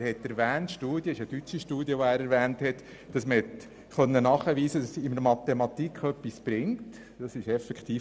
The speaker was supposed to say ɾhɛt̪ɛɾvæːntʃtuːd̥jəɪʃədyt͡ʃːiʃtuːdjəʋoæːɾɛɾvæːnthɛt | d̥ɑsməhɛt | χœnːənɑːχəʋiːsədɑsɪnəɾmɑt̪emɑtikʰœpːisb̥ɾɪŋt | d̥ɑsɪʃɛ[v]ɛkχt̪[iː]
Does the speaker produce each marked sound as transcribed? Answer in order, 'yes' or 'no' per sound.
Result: no, yes

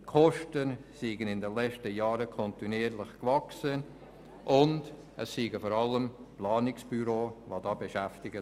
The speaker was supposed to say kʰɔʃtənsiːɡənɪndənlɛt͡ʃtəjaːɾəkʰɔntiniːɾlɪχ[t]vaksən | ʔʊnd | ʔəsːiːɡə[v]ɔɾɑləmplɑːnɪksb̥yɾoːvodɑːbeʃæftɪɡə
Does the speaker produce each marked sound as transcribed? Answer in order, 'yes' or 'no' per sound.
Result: no, no

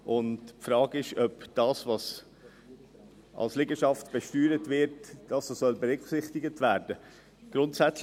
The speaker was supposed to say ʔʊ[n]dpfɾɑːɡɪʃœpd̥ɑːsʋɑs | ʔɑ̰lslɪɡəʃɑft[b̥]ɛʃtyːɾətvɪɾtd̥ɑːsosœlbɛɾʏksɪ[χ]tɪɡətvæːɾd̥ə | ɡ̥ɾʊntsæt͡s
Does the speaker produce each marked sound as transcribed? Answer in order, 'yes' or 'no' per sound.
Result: yes, yes, yes

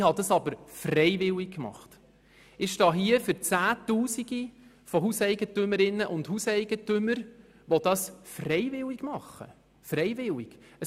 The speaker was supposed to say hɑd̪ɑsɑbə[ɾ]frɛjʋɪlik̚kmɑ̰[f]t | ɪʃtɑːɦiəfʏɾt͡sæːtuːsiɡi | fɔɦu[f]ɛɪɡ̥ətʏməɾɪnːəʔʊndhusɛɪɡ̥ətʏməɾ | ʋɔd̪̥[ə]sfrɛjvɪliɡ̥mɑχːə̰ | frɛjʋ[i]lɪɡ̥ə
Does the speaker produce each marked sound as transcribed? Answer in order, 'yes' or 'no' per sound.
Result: yes, no, no, no, no

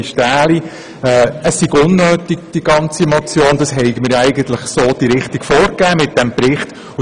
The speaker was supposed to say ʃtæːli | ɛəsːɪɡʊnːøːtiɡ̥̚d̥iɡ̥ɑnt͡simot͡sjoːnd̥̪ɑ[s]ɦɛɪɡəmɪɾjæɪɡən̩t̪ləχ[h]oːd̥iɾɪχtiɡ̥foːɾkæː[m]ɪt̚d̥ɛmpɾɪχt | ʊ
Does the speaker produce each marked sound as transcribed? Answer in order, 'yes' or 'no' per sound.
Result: yes, no, yes

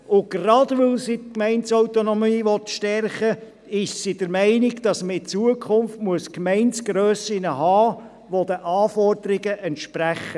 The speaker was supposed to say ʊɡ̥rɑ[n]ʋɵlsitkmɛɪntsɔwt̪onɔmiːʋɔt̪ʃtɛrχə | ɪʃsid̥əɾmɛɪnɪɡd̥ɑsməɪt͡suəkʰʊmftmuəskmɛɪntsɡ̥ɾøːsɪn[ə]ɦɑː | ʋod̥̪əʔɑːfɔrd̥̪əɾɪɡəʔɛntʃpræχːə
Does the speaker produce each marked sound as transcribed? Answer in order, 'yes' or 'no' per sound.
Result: no, yes

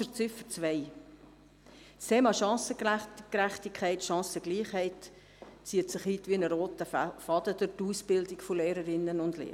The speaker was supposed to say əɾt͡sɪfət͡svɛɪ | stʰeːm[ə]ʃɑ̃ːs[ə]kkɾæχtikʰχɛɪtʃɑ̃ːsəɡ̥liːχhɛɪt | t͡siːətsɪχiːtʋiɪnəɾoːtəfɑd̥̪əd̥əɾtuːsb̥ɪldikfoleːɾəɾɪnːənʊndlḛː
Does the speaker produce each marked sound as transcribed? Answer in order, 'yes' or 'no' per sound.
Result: no, yes

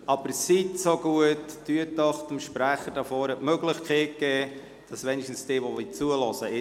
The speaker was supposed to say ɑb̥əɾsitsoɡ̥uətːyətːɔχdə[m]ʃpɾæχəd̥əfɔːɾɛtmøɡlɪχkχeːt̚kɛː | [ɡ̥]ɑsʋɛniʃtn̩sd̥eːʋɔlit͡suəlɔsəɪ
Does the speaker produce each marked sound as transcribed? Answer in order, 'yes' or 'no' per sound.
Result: yes, no

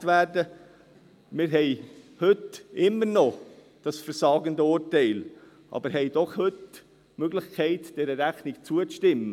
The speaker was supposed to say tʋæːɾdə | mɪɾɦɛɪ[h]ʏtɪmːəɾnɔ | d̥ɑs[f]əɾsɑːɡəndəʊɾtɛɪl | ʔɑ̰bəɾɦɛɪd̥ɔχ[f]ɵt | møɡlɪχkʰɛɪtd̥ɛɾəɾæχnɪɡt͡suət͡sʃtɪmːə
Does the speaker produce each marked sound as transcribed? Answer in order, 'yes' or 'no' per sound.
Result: yes, yes, no

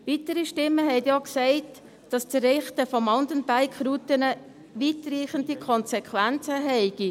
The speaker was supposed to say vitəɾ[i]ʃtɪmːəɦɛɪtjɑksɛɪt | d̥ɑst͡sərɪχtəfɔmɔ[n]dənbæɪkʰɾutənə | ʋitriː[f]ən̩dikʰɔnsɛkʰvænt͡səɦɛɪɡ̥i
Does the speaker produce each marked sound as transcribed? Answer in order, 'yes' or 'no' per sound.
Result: yes, yes, no

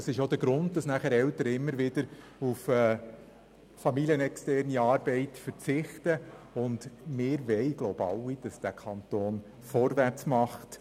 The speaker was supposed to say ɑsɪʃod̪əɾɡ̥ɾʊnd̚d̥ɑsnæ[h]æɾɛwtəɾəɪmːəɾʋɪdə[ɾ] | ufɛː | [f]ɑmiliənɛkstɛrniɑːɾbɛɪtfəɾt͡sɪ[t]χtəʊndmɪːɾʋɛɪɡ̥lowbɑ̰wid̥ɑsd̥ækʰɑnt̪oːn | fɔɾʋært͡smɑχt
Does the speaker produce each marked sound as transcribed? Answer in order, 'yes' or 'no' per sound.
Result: no, yes, yes, no

